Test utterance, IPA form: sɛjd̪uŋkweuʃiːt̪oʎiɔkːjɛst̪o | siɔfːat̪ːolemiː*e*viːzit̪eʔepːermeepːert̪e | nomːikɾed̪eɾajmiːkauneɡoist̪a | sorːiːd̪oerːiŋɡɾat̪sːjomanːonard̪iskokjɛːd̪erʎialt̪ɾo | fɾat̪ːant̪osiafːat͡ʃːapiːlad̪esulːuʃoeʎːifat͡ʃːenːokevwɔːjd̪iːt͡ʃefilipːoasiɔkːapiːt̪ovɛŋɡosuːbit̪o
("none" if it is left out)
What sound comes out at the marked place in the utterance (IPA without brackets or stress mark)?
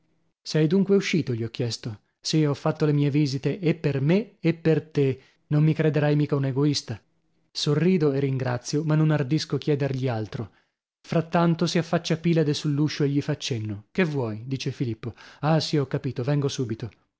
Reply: e